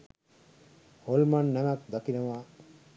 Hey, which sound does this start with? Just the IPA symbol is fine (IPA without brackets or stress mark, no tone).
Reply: h